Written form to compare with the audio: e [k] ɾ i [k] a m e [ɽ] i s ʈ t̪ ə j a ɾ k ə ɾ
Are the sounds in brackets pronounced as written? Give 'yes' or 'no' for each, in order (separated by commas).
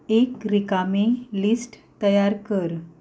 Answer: yes, yes, no